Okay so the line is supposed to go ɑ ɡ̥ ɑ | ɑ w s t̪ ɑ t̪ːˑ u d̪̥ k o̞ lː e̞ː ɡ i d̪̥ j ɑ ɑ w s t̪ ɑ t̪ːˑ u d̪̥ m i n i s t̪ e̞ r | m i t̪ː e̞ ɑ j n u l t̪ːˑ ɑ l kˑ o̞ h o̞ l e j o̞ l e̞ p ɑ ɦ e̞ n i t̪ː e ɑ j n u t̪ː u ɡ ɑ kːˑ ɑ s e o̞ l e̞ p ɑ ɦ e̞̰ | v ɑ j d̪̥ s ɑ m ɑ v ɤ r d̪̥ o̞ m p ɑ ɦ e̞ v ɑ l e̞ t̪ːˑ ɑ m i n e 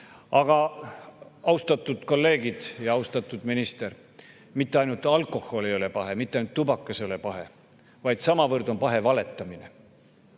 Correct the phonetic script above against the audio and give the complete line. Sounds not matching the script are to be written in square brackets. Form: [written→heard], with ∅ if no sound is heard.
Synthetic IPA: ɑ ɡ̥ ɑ | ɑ w s t̪ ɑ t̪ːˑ u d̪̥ k o̞ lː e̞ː ɡ i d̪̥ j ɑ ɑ w s t̪ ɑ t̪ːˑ u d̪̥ m i n i s t̪ e̞ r | m i t̪ː e̞ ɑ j n u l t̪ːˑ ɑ l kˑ o̞ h o̞ l e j o̞ l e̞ p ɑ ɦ e̞ [n→m] i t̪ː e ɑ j n u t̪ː u [ɡ→b] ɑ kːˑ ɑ s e o̞ l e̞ p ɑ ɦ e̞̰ | v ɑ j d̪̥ s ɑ m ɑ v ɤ r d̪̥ o̞ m p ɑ ɦ e̞ v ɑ l e̞ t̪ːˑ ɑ m i n e